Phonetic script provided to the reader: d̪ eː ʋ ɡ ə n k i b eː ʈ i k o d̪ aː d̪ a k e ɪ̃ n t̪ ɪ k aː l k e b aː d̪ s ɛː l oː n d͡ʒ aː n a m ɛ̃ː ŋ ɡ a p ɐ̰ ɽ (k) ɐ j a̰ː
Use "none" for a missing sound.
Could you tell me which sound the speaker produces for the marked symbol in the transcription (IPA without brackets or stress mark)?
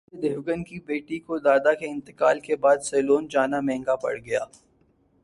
ɡ